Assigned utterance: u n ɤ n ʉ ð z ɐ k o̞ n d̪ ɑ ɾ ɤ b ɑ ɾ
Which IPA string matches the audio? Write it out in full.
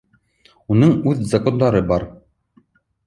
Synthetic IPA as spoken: u n ɤ ɴ ʉ ð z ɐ k o̞ n d̪ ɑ ɾ ɤ b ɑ ɾ